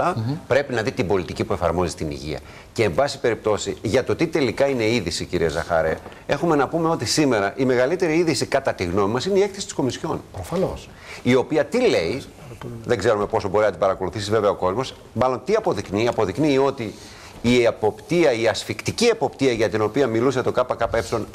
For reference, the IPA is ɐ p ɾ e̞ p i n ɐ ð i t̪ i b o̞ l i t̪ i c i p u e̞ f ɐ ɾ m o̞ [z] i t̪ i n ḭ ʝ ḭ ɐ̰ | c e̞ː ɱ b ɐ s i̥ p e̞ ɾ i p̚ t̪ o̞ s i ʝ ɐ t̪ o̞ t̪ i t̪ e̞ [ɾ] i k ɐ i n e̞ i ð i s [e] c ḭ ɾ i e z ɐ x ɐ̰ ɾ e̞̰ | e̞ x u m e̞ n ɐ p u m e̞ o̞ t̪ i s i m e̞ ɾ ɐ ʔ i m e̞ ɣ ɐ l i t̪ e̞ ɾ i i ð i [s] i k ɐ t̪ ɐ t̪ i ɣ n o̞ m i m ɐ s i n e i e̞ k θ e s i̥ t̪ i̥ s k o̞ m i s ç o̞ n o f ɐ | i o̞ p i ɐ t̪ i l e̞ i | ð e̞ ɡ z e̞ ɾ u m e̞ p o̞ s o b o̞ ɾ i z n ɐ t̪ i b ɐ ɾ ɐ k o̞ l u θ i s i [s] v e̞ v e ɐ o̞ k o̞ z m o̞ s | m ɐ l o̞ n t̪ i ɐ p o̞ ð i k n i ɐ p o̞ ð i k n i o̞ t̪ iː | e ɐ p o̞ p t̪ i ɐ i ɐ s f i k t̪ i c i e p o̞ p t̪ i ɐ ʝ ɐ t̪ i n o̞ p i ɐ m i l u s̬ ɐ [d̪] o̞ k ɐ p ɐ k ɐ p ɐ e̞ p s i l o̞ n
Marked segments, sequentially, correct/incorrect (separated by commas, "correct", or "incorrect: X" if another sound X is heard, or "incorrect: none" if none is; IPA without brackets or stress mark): correct, incorrect: l, incorrect: i, correct, incorrect: z, incorrect: t̪